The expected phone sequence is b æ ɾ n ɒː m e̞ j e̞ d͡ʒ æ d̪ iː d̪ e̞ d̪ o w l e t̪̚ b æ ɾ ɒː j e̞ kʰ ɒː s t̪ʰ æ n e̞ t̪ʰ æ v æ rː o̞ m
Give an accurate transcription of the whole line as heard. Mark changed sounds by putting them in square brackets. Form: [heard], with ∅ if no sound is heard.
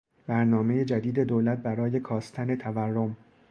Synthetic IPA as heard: b æ ɾ n ɒː m e̞ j e̞ d͡ʒ æ d̪ iː d̪ e̞ d̪ o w l [æ] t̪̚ b æ ɾ ɒː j e̞ kʰ ɒː s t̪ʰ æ n e̞ t̪ʰ æ v æ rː o̞ m